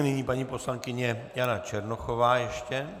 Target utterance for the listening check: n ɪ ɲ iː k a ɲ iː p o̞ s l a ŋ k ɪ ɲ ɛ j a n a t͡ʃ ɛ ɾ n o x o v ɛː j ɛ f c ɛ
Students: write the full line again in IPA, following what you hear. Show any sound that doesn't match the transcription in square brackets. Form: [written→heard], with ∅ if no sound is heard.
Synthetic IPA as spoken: n ɪ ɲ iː [k→p] a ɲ iː p o̞ s l a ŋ k ɪ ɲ ɛ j a n a t͡ʃ ɛ ɾ n o x o v [ɛː→aː] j ɛ [f→ʃ] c ɛ